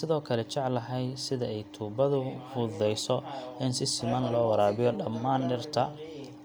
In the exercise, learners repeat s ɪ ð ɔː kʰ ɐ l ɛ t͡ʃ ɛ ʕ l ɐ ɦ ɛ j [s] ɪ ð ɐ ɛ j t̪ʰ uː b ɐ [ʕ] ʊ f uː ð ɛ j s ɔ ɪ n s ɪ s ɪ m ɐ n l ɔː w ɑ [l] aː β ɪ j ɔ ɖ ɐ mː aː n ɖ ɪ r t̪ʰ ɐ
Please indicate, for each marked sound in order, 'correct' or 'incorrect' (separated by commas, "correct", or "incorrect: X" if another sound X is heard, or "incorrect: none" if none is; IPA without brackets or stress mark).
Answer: correct, incorrect: ð, incorrect: ɾ